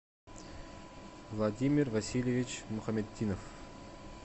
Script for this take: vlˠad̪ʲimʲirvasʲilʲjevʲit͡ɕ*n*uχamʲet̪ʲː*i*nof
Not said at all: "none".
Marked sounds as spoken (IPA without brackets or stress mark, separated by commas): m, i